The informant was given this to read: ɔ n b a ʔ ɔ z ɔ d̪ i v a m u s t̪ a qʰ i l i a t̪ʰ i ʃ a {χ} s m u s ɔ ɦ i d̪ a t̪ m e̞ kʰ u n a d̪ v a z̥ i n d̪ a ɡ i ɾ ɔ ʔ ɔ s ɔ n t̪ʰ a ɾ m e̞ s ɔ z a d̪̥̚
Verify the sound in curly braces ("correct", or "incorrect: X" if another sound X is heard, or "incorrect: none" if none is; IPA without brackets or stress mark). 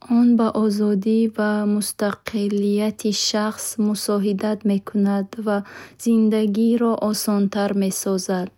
correct